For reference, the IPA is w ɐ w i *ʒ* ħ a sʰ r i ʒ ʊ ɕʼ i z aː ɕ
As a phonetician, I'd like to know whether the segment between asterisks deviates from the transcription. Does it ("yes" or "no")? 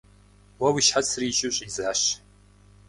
yes